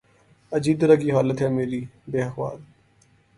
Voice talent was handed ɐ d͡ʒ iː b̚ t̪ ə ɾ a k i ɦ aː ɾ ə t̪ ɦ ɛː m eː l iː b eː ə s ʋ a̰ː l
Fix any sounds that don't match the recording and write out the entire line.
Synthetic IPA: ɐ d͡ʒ iː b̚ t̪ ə ɾ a k i ɦ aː l ə t̪ ɦ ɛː m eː ɾ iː b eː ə x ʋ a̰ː l